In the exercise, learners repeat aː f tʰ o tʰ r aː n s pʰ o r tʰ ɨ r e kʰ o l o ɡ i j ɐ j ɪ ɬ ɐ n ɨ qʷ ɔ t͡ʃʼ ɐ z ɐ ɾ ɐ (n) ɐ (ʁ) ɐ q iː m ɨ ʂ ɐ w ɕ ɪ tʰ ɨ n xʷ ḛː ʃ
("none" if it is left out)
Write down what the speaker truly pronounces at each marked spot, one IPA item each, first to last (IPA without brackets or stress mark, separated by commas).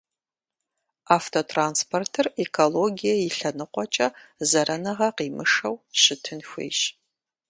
n, ʁ